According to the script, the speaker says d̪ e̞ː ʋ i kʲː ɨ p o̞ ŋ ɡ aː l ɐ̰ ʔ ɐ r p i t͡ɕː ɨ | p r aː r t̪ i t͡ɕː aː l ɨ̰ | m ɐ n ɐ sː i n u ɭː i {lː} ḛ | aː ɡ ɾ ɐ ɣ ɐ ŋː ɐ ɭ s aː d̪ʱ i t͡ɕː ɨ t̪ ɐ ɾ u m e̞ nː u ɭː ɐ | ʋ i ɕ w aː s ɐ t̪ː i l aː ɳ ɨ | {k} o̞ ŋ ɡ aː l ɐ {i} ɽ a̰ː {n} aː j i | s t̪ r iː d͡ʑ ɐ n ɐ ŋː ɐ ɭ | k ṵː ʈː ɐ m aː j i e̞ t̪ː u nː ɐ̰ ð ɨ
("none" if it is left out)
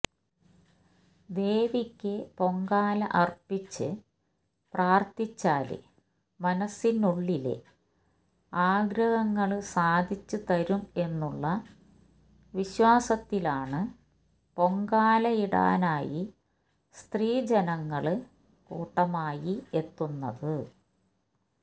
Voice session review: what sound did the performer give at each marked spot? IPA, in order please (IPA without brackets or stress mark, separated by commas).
l, p, i, n